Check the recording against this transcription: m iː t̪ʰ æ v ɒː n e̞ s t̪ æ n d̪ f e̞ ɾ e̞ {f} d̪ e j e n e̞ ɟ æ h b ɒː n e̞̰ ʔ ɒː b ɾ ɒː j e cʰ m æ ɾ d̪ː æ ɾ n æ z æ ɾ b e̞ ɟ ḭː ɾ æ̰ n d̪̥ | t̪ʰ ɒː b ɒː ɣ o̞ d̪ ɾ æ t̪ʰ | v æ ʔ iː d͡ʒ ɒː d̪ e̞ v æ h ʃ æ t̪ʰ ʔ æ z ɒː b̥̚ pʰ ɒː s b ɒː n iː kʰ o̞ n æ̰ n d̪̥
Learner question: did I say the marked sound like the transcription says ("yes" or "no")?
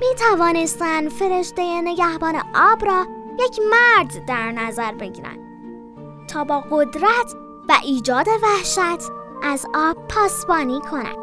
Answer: no